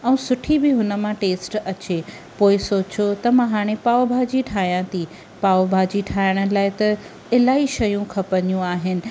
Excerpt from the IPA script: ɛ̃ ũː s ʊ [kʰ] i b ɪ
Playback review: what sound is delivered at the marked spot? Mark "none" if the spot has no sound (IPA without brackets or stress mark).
ʈʰ